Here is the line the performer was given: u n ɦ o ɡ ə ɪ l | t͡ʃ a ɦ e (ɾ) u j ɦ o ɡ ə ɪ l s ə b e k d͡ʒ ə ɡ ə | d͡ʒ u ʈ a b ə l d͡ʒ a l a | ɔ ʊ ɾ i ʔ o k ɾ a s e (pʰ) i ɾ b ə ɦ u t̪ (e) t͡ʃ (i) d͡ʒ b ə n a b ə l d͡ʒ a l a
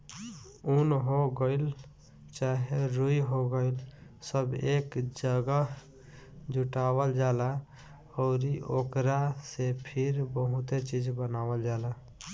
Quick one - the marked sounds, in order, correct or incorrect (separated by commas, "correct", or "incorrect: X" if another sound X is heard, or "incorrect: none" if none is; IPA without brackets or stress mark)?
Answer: correct, correct, correct, correct